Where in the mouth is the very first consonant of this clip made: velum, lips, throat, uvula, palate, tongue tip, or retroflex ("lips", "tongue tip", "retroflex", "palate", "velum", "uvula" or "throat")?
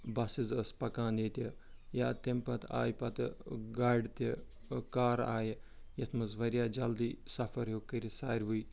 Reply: lips